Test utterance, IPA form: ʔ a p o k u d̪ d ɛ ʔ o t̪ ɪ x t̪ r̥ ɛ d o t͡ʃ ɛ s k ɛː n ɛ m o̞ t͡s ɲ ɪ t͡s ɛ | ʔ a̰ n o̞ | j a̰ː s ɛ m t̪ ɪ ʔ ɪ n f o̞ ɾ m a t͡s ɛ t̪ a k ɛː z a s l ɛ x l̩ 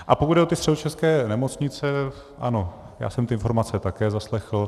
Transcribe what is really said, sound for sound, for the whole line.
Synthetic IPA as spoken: ʔ a p o k u d̪ d ɛ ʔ o t̪ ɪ s t̪ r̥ ɛ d o t͡ʃ ɛ s k ɛː n ɛ m o̞ t͡s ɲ ɪ t͡s ɛ | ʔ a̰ n o̞ | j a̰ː s ɛ m t̪ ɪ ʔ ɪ n f o̞ ɾ m a t͡s ɛ t̪ a k ɛː z a s l ɛ x l̩